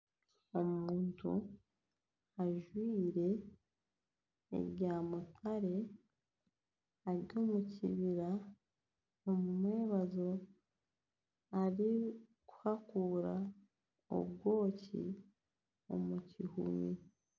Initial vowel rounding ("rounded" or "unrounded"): rounded